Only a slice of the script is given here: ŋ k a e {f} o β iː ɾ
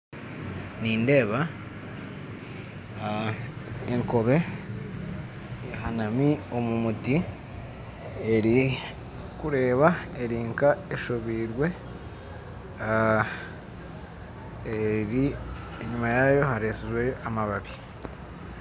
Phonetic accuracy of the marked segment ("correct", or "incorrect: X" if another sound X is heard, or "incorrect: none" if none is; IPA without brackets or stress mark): incorrect: ʃ